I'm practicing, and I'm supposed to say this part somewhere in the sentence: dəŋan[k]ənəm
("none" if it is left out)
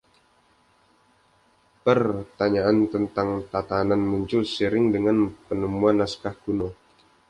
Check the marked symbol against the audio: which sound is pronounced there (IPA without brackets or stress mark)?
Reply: p